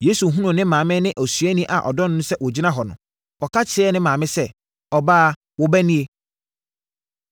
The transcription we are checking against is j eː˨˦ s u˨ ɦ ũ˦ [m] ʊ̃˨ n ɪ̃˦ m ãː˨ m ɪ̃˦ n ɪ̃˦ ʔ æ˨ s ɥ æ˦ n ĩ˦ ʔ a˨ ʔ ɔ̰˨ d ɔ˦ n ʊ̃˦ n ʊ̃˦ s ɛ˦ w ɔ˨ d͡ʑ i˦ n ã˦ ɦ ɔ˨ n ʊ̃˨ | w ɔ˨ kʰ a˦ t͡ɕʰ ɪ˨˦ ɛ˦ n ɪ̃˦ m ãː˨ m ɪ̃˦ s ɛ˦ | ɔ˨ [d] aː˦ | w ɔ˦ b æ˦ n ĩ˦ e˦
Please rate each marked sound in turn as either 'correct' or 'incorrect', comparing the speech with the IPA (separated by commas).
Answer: incorrect, incorrect